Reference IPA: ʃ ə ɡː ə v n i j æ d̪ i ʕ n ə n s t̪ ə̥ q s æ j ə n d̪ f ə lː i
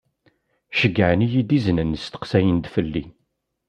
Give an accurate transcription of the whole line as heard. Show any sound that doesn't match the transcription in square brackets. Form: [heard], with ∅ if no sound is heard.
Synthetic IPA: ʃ ə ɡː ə [ʕ] n i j [i] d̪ i [z] n ə n s t̪ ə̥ q s æ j ə n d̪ f ə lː i